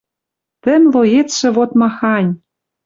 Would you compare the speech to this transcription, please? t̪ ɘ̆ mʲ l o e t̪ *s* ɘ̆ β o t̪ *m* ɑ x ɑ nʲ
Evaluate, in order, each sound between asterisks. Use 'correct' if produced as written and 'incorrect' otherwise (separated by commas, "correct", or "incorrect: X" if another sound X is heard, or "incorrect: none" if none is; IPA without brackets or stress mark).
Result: incorrect: ʃ, correct